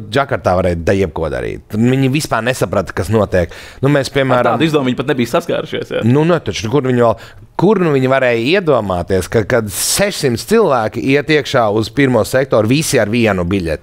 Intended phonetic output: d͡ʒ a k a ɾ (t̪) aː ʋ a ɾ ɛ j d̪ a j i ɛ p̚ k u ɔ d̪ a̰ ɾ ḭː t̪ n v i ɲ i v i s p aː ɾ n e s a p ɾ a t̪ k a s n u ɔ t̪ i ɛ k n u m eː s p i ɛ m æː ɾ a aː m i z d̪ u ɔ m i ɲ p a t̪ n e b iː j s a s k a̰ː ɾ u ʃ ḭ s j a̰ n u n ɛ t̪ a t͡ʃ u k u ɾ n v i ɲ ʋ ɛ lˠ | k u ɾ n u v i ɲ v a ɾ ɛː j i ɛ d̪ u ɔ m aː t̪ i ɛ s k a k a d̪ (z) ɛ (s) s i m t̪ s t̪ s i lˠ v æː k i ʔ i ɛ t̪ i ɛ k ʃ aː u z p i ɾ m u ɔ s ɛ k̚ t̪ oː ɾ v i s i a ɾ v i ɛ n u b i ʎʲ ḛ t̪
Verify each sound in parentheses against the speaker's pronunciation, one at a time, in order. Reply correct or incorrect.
correct, incorrect, incorrect

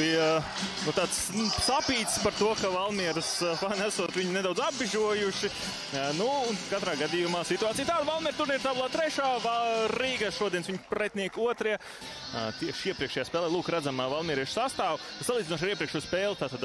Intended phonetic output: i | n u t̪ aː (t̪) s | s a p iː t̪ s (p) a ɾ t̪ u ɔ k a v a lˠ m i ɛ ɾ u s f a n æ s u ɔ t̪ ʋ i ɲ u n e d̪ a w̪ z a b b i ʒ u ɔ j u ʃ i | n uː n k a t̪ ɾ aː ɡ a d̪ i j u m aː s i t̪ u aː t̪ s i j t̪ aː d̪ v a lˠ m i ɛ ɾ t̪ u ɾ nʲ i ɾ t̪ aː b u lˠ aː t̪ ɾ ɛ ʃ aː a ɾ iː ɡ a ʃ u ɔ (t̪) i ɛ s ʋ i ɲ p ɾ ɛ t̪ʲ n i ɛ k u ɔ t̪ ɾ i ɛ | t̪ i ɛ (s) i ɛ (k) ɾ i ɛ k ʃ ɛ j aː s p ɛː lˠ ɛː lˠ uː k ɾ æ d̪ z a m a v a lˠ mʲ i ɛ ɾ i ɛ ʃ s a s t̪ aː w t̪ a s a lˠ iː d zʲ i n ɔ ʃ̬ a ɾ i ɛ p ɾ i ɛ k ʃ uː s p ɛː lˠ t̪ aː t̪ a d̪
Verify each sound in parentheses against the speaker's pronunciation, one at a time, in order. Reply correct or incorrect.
correct, correct, incorrect, incorrect, incorrect

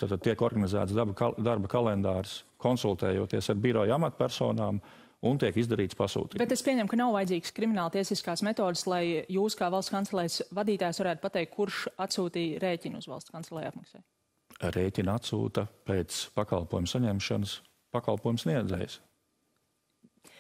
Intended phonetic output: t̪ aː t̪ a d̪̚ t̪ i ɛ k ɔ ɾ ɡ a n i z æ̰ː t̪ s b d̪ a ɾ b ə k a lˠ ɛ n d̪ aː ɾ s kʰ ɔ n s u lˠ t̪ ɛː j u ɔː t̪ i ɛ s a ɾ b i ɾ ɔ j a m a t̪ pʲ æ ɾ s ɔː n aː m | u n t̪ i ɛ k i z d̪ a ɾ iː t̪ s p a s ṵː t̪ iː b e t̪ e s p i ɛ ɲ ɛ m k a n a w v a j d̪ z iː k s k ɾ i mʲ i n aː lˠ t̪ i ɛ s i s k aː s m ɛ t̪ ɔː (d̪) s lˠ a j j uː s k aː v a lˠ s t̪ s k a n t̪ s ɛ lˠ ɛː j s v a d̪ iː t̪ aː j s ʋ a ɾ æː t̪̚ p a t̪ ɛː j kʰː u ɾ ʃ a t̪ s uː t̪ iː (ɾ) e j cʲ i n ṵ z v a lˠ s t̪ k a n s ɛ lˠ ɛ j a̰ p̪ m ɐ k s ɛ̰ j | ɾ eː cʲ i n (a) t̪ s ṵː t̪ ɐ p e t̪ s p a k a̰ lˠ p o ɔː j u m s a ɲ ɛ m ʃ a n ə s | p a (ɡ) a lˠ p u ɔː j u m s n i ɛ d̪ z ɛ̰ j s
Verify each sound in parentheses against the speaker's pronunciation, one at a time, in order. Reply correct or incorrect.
correct, correct, correct, incorrect

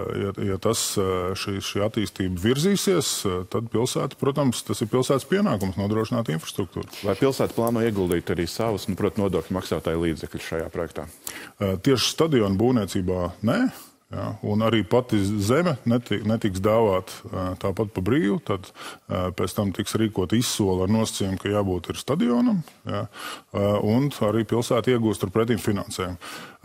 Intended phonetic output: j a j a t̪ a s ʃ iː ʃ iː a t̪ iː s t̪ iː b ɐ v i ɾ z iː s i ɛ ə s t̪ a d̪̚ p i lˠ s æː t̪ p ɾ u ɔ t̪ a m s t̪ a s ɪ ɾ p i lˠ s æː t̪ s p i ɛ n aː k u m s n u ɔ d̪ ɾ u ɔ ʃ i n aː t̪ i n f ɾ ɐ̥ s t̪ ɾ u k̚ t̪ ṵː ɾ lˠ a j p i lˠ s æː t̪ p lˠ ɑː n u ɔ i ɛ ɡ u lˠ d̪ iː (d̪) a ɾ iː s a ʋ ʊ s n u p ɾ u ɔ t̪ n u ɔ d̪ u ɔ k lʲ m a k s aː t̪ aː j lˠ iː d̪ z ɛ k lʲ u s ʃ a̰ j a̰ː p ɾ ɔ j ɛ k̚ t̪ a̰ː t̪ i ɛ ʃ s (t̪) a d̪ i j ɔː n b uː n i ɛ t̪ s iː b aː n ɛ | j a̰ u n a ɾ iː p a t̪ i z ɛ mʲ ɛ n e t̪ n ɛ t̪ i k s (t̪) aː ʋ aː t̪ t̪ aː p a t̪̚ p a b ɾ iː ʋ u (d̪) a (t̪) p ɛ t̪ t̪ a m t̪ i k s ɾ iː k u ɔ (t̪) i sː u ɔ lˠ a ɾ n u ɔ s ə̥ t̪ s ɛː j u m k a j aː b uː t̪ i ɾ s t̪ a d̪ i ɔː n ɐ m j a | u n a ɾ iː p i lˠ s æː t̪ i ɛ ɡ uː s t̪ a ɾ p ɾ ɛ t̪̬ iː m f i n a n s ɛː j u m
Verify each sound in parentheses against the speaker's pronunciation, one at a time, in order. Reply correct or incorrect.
incorrect, correct, incorrect, incorrect, incorrect, correct

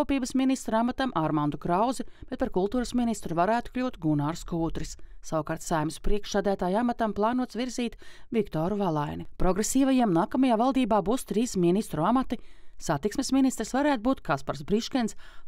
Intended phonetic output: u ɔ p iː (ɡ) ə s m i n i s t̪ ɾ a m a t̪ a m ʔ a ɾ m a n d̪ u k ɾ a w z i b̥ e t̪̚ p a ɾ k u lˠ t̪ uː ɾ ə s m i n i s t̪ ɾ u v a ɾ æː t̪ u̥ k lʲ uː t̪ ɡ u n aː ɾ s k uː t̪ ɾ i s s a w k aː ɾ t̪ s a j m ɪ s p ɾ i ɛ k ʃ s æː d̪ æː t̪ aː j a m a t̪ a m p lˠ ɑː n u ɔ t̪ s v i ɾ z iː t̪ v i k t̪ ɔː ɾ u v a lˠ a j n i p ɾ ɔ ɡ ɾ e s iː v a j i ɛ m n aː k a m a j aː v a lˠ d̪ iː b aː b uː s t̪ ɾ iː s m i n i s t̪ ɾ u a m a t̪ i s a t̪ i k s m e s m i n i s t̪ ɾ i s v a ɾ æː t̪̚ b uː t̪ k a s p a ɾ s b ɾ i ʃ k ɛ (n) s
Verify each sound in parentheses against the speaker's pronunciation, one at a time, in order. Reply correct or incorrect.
incorrect, correct

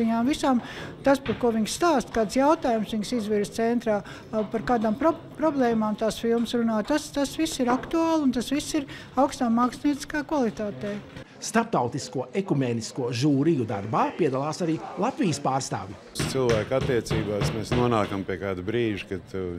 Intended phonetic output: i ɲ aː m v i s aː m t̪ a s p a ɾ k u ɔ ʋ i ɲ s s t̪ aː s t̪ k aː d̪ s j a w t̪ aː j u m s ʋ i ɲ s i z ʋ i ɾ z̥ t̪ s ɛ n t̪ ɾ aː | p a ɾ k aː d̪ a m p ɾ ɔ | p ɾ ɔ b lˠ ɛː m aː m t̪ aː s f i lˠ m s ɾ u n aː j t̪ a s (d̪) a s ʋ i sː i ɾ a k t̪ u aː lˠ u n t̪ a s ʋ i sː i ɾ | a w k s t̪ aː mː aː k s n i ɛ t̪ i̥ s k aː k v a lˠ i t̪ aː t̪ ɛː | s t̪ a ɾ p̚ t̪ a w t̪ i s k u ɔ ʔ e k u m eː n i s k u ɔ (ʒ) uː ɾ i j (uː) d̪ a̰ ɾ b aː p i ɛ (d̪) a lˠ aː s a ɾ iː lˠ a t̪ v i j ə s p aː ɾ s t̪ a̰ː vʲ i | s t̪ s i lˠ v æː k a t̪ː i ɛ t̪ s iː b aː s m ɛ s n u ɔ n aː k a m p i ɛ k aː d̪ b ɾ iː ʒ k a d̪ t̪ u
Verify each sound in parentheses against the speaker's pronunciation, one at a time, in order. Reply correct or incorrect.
incorrect, correct, incorrect, correct

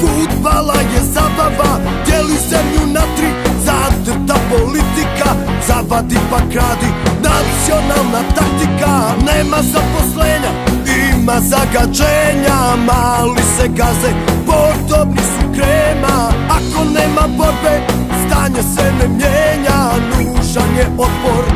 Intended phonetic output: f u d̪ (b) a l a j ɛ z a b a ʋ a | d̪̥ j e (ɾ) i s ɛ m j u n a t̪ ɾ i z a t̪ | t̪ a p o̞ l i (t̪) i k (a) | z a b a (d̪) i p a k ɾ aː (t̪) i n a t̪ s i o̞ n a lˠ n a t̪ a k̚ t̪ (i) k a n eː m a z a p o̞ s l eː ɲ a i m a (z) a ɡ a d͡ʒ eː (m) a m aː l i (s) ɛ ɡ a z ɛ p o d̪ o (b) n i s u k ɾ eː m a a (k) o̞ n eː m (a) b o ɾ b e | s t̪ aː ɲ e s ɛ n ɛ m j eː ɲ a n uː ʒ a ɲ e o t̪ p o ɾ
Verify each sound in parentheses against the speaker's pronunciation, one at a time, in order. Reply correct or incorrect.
correct, incorrect, correct, correct, correct, incorrect, correct, correct, incorrect, correct, correct, correct, correct

